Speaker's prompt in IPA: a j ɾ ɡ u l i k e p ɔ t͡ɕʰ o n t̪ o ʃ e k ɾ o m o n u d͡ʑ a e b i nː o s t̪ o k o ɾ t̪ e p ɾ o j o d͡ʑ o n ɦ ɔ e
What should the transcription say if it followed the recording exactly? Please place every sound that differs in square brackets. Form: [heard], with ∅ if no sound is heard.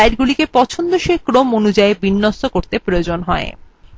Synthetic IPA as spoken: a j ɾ ɡ u l i k e p ɔ t͡ɕʰ o n [d̪] o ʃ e k ɾ o m o n u d͡ʑ a e b i nː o s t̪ o k o ɾ t̪ e p ɾ o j o d͡ʑ o n ɦ ɔ e